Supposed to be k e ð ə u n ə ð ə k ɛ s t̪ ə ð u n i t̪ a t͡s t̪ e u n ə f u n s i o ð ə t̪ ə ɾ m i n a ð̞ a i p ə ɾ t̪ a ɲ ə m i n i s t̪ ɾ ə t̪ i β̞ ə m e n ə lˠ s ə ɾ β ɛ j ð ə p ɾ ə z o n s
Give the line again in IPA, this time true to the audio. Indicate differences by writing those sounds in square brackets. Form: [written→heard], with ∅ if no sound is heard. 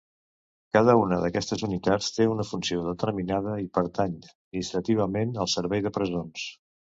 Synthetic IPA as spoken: k [e→a] ð ə u n ə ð ə k ɛ s t̪ ə [ð→z] u n i t̪ a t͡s t̪ e u n ə f u n s i o ð ə t̪ ə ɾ m i n a ð̞ [a→ə] i p ə ɾ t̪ a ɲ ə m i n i s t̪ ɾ ə t̪ i β̞ ə m e n ə lˠ s ə ɾ β ɛ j ð ə p ɾ ə z o n s